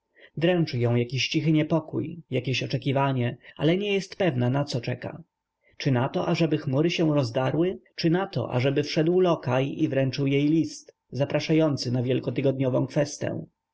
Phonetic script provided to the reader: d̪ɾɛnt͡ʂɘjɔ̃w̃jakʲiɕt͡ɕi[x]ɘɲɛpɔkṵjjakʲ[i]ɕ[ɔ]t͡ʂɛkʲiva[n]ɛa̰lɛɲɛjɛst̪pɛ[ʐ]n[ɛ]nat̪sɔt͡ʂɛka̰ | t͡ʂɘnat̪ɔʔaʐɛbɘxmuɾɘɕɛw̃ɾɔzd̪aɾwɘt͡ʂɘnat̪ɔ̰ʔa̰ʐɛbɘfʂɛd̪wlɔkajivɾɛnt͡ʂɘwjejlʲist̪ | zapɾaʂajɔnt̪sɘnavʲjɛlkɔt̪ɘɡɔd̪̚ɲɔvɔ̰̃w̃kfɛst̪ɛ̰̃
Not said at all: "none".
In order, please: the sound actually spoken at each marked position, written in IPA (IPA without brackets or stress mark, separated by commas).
x, e, ɔ, ɲ, v, a